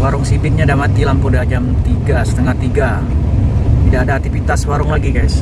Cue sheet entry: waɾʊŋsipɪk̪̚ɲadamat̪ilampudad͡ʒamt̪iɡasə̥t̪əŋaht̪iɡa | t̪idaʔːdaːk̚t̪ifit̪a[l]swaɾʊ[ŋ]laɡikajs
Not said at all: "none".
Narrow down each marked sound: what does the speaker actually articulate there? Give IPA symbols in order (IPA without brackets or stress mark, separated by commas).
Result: none, ŋ